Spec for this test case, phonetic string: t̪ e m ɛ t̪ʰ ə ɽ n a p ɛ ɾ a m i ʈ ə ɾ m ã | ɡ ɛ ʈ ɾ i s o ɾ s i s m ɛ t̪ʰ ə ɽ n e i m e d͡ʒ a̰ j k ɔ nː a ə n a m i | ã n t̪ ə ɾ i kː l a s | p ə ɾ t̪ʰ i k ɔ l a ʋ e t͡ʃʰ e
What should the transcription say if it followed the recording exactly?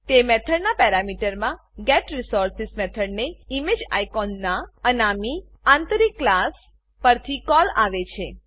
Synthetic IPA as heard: t̪ e m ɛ t̪ʰ ə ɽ n a p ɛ ɾ a m i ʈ ə ɾ m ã | ɡ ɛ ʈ ɾ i s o ɾ s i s m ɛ t̪ʰ ə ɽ n e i m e d͡ʒ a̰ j k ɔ nː a ə n a m i | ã n t̪ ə ɾ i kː l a s | p ə ɾ t̪ʰ i k ɔ l a ʋ e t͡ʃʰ e